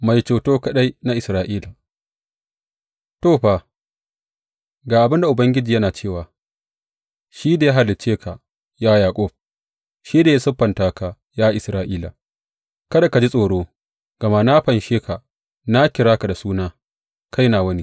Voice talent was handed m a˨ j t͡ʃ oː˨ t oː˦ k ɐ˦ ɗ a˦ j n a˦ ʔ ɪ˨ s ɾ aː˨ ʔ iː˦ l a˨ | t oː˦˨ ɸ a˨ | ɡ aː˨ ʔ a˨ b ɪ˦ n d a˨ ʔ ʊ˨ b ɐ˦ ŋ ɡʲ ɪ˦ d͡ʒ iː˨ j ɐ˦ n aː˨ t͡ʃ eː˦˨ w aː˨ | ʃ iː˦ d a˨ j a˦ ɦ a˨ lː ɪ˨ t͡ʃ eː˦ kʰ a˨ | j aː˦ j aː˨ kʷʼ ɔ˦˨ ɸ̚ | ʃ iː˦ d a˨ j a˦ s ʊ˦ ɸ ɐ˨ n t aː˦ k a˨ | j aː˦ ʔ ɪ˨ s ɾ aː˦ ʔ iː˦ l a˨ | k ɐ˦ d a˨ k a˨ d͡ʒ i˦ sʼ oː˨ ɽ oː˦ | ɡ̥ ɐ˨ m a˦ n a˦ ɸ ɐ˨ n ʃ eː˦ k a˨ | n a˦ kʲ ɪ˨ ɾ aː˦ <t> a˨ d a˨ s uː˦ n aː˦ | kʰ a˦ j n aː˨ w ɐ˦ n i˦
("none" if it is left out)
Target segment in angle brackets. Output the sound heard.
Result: k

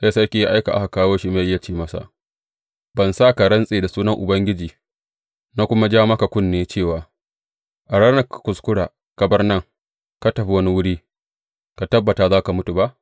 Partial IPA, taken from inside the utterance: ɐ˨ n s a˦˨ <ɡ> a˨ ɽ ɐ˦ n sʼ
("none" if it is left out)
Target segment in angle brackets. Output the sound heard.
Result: k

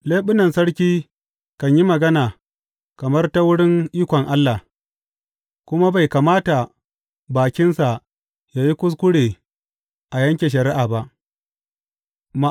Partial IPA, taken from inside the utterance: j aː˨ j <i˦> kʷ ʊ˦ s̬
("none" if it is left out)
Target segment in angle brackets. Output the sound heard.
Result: i˦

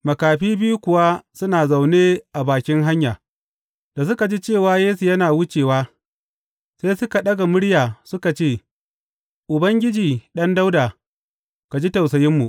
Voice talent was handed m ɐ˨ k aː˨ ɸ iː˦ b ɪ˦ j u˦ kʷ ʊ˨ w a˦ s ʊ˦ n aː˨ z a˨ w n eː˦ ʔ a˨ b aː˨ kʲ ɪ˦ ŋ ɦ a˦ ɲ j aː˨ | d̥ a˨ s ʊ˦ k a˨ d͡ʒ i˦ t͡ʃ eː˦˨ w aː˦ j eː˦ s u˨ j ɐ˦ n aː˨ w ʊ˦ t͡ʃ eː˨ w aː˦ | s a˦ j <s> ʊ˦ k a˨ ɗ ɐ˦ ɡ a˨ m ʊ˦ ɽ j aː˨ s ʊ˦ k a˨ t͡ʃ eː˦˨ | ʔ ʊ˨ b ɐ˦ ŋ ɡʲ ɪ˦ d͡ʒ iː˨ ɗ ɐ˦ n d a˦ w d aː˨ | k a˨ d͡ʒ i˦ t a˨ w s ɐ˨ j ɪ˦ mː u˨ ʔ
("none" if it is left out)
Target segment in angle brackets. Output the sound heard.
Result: s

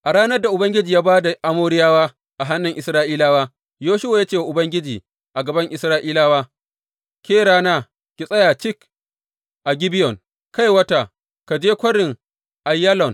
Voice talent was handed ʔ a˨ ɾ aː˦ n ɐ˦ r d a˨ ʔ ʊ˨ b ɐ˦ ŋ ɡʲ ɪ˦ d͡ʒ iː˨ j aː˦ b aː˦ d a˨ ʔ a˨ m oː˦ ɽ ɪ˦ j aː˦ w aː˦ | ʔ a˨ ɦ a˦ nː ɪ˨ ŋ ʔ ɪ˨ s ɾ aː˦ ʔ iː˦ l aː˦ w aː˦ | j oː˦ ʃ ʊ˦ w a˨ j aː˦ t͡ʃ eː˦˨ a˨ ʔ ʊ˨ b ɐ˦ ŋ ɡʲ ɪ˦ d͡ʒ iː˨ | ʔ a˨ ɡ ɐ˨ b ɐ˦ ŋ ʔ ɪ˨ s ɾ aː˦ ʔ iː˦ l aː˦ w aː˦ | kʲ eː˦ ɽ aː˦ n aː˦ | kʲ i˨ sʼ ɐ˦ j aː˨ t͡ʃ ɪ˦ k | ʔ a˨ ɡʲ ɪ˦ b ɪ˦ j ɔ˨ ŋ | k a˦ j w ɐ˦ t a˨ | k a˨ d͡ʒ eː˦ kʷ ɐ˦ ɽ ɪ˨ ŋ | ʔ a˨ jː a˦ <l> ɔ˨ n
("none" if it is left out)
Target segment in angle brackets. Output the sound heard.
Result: l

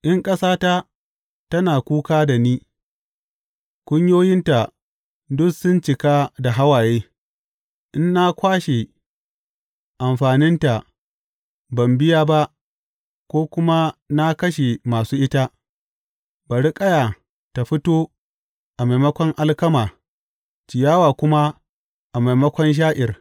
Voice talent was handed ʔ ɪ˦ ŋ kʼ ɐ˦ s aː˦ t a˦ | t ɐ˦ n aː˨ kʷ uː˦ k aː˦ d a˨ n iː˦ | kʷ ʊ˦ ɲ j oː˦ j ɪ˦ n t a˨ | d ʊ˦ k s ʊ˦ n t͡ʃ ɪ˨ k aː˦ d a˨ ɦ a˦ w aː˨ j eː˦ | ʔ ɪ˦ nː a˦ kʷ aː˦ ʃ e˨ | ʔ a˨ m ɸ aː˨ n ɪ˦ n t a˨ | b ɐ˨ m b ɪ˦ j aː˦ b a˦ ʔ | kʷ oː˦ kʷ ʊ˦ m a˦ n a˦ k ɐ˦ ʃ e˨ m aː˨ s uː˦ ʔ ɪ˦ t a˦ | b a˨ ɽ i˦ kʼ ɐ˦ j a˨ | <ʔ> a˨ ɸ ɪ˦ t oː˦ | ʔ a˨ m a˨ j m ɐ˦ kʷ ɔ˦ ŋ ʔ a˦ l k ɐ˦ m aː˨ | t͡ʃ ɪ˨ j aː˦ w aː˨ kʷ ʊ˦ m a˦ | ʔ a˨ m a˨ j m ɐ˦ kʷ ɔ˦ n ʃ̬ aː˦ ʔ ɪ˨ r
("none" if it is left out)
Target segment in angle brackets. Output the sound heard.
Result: t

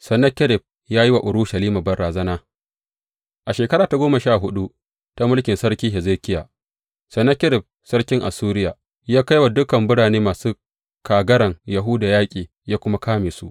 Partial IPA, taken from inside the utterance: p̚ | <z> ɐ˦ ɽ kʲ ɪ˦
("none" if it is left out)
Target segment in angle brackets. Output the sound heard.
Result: s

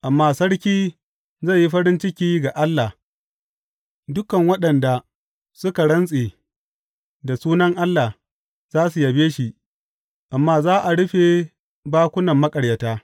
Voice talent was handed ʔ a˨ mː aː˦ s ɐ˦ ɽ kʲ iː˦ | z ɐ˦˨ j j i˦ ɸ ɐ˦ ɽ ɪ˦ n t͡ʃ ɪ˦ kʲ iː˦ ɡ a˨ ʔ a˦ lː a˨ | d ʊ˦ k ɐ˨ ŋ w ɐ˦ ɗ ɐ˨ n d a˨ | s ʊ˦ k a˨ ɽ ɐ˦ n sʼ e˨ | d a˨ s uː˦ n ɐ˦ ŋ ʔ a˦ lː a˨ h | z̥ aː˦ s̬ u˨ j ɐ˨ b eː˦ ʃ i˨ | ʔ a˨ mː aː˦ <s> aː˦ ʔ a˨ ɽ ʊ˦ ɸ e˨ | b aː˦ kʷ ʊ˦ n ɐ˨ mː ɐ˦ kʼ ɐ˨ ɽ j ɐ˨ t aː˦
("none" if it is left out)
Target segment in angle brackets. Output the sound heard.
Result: z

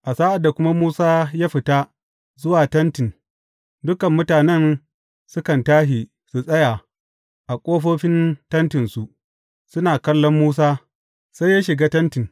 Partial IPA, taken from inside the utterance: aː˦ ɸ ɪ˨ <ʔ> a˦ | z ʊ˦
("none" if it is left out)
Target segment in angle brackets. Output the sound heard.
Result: t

